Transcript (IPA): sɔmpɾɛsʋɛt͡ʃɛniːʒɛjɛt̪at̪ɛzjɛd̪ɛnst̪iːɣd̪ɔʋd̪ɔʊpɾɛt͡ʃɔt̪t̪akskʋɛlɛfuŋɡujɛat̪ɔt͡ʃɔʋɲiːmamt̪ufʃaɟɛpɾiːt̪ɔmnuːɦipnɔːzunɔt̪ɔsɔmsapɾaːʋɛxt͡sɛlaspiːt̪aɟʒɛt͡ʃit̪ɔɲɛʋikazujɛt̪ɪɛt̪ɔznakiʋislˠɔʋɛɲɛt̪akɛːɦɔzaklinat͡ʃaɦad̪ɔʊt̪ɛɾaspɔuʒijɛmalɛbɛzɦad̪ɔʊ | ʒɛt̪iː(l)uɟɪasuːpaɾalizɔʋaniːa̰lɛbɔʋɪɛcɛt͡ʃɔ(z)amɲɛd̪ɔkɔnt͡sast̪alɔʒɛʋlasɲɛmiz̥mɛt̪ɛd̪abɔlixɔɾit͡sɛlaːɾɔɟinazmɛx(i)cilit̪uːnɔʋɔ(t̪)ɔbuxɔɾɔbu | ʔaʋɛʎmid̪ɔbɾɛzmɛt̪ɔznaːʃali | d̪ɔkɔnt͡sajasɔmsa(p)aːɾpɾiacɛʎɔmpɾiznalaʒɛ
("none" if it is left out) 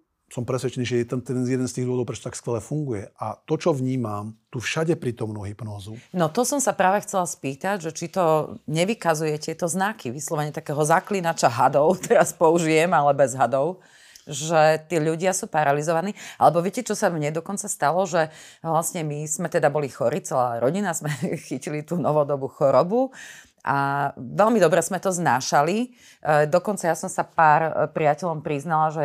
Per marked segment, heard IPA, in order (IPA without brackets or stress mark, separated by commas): ʎ, s, i, d̪, p